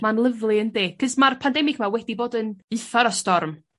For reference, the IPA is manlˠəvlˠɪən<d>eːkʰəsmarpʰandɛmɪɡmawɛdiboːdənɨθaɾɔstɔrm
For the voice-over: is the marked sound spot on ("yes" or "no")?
yes